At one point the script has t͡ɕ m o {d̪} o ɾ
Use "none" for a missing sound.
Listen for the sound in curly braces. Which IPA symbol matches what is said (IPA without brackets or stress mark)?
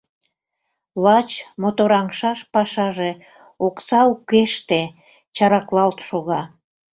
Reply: t̪